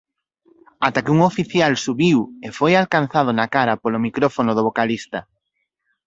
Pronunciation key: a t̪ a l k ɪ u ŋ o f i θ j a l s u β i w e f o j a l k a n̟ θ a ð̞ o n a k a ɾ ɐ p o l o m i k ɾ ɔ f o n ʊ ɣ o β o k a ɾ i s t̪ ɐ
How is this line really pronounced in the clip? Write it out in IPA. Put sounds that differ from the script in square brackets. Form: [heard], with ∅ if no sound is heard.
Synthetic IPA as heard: a t̪ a [∅] k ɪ u ŋ o f i θ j a l s u β i w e f o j a l k a n̟ θ a ð̞ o n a k a ɾ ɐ p o l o m i k ɾ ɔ f o n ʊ [ð] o β o k a [l] i s t̪ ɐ